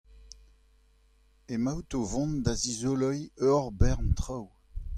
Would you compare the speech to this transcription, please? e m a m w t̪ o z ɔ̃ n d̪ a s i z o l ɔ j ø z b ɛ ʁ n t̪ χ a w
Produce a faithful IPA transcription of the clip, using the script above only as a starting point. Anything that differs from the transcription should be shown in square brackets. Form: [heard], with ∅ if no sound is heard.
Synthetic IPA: e m a [∅] w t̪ o [v] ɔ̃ n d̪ a [z] i z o l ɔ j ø [ʁ] b ɛ ʁ n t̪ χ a w